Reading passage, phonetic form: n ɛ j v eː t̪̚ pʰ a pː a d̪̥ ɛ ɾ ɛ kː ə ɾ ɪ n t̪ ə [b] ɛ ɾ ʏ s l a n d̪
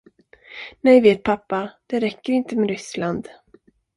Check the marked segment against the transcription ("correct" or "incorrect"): incorrect